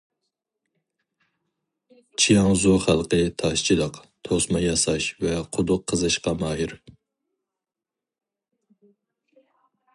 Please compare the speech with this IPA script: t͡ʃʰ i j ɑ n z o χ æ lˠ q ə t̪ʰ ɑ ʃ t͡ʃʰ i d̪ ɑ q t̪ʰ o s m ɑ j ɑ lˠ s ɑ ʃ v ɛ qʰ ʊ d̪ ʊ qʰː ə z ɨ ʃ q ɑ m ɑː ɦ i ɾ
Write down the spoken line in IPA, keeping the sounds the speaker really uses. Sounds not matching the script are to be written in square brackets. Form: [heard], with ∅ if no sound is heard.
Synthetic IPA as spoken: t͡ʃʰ i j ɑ [ŋ] z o χ æ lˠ q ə t̪ʰ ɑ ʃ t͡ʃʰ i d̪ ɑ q t̪ʰ o s m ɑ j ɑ [∅] s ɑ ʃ v ɛ qʰ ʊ d̪ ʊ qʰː ə z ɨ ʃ q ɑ m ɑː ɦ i ɾ